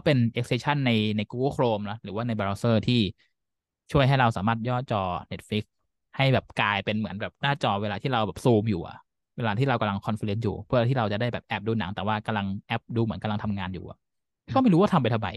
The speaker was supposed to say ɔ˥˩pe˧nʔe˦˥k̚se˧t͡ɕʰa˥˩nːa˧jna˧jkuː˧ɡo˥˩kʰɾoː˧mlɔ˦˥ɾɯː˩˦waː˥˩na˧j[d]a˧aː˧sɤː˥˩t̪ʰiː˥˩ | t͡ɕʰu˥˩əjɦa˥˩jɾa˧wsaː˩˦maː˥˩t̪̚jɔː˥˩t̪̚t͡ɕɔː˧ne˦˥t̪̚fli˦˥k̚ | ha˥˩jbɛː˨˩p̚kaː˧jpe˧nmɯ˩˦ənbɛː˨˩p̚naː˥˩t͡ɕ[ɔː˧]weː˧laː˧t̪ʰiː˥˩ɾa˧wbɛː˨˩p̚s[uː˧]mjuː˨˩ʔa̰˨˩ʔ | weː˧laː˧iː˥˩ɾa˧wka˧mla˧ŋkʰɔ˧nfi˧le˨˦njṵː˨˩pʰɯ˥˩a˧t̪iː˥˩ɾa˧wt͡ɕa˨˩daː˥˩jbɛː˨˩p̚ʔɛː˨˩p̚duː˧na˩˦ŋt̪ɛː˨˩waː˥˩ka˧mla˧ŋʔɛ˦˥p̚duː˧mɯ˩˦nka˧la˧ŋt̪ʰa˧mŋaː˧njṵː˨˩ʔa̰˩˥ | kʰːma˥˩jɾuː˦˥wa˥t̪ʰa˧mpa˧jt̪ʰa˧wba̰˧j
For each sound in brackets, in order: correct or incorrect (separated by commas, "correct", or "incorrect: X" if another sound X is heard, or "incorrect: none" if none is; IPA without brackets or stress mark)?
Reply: incorrect: b, correct, correct